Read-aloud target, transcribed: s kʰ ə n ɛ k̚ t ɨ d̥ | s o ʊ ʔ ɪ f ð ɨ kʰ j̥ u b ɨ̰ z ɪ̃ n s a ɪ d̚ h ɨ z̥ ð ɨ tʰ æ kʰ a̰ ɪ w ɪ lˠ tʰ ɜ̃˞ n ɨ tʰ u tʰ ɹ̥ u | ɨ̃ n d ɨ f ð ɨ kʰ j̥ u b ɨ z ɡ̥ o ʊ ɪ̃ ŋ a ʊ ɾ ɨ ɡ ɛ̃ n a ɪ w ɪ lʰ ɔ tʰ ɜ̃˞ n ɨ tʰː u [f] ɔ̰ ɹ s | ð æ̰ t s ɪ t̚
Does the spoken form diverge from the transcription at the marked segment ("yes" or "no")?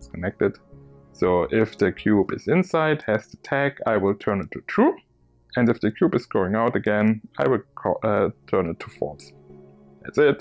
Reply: no